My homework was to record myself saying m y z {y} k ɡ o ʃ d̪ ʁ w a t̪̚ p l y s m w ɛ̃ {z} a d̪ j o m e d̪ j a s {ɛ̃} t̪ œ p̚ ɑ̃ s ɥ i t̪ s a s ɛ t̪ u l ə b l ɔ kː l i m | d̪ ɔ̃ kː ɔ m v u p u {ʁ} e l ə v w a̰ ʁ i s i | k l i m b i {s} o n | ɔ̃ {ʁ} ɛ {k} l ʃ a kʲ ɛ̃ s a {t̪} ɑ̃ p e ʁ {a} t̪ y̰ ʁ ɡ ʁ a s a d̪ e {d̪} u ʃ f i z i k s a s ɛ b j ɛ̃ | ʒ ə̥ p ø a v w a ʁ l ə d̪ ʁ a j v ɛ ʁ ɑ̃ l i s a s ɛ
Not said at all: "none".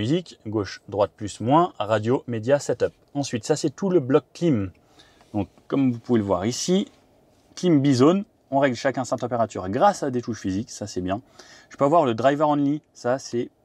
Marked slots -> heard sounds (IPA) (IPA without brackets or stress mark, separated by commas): i, ʁ, ɛ, v, z, ʁ, ɡ, t̪, a, t̪